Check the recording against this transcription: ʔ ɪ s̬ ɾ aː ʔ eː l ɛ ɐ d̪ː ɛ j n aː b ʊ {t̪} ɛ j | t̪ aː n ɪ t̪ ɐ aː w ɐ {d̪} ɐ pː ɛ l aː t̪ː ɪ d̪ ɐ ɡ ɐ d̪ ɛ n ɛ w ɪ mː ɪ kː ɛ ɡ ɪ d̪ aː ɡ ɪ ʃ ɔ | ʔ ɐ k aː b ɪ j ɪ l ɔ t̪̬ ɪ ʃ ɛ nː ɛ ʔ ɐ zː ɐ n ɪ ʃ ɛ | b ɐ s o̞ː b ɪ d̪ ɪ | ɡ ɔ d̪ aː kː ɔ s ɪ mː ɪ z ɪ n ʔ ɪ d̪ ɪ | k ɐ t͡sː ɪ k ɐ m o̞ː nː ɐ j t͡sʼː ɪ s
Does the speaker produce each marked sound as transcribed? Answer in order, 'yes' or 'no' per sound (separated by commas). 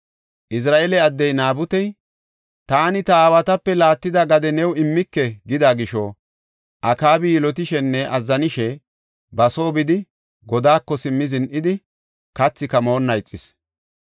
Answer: yes, no